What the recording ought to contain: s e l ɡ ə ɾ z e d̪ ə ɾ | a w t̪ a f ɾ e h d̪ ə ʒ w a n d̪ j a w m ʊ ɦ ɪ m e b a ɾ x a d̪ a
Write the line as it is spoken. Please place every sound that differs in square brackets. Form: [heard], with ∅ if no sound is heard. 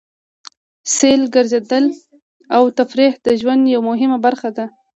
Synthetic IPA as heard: s e l ɡ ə ɾ z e d̪ ə [l] | a w t̪ a f ɾ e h d̪ ə ʒ w a n d̪ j a w m ʊ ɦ ɪ m [a] b a ɾ x a d̪ a

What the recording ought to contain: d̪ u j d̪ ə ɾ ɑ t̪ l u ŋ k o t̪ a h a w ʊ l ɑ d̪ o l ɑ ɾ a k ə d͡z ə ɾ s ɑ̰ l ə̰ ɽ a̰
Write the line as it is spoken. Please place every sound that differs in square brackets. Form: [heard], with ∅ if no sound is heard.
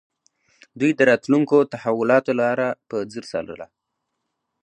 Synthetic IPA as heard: d̪ u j d̪ ə ɾ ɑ t̪ l u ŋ k o t̪ a h a w ʊ l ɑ [t̪] o l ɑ ɾ a [p] ə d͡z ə ɾ s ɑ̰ l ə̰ [l] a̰

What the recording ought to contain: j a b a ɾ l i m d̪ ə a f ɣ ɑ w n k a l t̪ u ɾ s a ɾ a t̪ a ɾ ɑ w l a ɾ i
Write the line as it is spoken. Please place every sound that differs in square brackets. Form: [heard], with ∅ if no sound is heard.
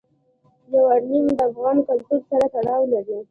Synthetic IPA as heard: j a [w] a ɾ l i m d̪ ə a f ɣ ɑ [∅] n k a l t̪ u ɾ s a ɾ a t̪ a [ɽ] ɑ w l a ɾ i

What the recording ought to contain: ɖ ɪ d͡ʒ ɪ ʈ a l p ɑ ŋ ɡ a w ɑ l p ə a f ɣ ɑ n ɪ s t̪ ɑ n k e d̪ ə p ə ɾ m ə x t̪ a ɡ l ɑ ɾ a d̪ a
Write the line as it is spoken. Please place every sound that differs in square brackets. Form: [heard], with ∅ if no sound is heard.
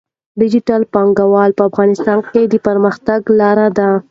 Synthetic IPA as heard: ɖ ɪ d͡ʒ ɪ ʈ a l p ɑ ŋ ɡ a w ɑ l p ə a f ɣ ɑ n ɪ s t̪ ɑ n k e d̪ ə p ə ɾ m ə x t̪ a ɡ l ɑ ɾ a d̪ a

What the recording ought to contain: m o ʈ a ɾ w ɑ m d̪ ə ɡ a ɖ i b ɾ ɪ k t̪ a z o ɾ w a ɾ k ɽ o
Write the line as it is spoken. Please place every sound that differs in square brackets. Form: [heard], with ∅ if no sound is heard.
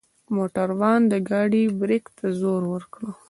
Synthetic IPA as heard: m o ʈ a ɾ w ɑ [n] d̪ ə ɡ [ɑ] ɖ i b ɾ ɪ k t̪ a z o ɾ w [ə] ɾ k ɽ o

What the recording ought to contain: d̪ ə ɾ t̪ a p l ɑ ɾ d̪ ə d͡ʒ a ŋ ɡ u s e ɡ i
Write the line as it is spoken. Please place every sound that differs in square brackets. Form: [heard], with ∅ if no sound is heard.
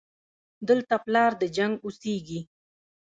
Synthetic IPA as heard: d̪ ə [l] t̪ a p l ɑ ɾ d̪ ə d͡ʒ a ŋ ɡ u s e ɡ i

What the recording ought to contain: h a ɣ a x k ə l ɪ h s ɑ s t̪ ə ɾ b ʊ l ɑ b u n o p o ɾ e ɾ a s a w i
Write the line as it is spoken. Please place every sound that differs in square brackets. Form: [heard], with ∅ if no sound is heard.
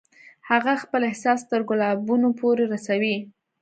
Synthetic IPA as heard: h a ɣ a x [p] ə l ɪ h s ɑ s t̪ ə ɾ [ɡ] ʊ l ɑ b u n o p o ɾ e ɾ a s a w i

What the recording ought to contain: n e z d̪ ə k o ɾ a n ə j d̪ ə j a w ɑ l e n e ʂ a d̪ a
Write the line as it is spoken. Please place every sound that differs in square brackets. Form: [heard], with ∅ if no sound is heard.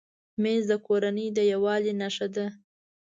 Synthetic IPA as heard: [m] e z d̪ ə k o ɾ a n ə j d̪ ə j a w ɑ l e n [a] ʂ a d̪ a

